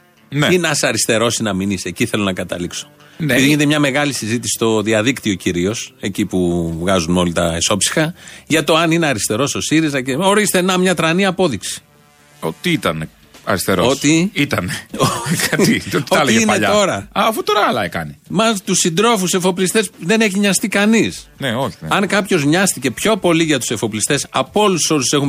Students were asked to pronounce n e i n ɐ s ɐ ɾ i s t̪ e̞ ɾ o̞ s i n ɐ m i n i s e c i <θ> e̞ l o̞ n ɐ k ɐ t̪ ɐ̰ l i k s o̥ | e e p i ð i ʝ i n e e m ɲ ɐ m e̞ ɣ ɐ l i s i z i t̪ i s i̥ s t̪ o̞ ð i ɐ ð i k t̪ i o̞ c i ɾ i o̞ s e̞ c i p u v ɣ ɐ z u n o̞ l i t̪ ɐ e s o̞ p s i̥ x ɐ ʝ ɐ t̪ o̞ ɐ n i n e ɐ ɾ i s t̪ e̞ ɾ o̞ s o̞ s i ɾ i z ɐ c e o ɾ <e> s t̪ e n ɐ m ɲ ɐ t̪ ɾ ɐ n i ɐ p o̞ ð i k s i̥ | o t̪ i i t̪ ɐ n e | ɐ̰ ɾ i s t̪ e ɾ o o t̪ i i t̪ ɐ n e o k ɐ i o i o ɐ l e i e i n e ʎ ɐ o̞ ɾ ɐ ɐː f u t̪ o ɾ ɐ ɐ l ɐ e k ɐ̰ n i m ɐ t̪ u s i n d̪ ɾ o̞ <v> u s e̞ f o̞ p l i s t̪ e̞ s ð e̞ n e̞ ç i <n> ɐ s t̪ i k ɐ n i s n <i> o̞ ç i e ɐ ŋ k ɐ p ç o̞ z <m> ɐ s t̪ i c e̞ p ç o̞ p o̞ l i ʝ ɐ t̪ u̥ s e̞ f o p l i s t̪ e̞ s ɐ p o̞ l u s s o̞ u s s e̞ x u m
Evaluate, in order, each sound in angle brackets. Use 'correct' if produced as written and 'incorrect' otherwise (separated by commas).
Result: correct, incorrect, incorrect, incorrect, incorrect, incorrect